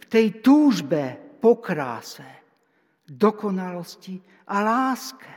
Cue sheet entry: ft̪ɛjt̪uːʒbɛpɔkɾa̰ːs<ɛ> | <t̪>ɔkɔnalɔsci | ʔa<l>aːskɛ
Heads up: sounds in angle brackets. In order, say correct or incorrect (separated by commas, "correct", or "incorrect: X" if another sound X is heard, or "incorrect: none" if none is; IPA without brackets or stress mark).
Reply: correct, incorrect: d̪, correct